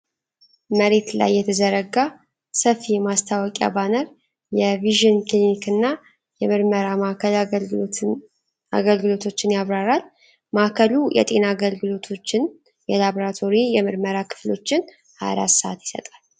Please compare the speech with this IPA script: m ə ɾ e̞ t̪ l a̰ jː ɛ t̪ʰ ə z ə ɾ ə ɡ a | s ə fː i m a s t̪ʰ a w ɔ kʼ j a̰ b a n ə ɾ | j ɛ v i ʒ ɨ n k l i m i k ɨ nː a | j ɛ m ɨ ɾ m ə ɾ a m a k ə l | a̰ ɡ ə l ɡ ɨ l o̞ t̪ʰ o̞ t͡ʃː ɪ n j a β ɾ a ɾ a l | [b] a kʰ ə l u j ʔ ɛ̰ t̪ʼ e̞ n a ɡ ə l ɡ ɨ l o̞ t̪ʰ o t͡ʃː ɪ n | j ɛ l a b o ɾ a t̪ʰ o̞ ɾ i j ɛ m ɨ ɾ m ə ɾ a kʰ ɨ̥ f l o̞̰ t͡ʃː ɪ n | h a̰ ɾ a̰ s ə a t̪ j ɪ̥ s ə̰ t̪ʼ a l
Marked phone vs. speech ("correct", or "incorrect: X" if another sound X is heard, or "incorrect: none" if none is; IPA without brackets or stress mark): incorrect: m